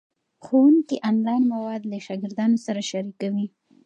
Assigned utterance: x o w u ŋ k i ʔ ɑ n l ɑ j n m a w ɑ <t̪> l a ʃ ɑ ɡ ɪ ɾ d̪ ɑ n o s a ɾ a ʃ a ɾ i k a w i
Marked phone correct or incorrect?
incorrect